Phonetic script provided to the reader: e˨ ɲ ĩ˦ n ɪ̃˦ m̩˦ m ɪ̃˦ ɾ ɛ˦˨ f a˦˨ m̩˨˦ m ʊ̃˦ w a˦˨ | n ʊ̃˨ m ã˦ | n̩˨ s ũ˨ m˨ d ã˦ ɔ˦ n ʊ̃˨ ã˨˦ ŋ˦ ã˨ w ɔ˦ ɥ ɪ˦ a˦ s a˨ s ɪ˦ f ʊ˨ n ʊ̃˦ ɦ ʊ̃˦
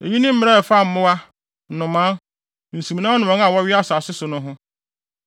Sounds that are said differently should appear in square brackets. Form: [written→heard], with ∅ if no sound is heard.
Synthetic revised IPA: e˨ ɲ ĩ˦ n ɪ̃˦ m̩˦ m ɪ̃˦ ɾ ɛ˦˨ f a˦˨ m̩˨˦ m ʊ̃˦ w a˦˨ | n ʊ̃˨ m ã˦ | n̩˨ s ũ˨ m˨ [d→n] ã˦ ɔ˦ n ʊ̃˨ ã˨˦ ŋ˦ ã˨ w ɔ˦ ɥ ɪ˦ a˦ s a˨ s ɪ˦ [f→s] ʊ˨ n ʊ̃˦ ɦ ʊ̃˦